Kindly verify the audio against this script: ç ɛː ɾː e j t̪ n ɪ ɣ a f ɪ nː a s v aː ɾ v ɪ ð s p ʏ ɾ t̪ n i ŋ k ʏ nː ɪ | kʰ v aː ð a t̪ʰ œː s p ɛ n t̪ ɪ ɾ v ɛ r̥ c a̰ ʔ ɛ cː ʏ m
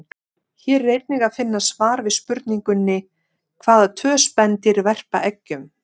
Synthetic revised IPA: ç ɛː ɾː e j t̪ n ɪ ɣ a f ɪ nː a s v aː ɾ v ɪ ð s p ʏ ɾ t̪ n i ŋ k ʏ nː ɪ | kʰ v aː ð a t̪ʰ œː s p ɛ n t̪ ɪ ɾ v ɛ r̥ p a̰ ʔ ɛ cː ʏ m